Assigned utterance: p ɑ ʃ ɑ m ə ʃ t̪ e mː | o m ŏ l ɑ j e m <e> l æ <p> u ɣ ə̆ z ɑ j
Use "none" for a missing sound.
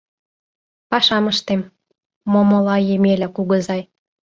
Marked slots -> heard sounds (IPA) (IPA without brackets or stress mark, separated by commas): e, k